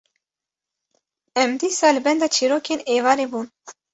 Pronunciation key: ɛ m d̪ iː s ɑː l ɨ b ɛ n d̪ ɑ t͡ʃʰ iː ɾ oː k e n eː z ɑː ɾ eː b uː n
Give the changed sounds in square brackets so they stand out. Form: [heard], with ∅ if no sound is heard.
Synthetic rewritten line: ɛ m d̪ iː s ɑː l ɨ b ɛ n d̪ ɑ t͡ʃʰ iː ɾ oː k e n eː [v] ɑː ɾ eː b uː n